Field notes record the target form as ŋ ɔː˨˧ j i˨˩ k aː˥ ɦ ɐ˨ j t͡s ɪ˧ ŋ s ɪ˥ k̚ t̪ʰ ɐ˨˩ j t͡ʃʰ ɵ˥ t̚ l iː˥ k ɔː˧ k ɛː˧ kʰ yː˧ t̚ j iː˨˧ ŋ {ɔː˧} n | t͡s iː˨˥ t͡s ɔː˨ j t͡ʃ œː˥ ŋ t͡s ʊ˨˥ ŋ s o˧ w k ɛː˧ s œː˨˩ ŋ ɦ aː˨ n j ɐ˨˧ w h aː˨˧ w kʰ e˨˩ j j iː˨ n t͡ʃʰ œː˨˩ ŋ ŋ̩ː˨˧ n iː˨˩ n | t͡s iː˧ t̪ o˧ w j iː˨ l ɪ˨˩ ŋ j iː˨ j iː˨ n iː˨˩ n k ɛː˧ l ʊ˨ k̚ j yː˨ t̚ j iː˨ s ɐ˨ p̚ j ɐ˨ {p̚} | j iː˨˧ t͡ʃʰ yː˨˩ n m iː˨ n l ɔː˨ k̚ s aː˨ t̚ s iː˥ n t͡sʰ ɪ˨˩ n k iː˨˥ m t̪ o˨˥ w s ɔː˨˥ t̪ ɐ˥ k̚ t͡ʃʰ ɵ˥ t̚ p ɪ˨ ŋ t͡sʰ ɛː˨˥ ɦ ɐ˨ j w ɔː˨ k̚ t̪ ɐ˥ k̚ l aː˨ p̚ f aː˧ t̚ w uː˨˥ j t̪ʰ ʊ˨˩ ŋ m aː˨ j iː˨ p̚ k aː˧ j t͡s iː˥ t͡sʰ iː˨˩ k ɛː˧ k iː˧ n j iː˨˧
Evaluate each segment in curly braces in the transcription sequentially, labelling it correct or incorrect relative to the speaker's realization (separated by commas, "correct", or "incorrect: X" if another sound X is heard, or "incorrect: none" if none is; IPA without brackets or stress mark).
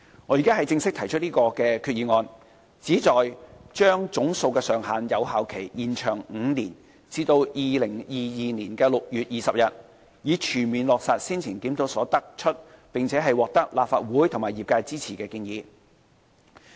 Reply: correct, incorrect: t̚